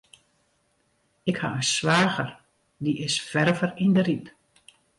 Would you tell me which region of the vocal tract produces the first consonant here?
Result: velum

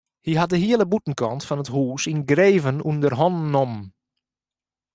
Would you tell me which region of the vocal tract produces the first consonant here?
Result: throat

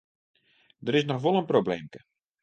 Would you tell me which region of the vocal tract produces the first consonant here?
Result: tongue tip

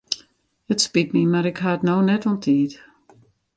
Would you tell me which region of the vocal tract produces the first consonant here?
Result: tongue tip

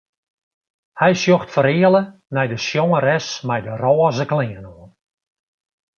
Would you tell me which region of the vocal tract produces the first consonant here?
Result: throat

